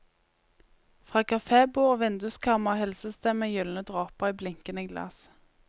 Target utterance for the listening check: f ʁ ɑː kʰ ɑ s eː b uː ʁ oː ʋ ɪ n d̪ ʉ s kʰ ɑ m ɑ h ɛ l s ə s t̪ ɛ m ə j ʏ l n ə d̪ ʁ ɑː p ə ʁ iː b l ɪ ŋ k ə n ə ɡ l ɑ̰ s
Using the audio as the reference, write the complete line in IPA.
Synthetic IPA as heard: f ʁ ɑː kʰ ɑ f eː b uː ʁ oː ʋ ɪ n d̪ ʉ s kʰ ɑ m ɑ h ɛ l s ə s t̪ ɛ m ə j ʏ l n ə d̪ ʁ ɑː p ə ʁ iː b l ɪ ŋ k ə n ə ɡ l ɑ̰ s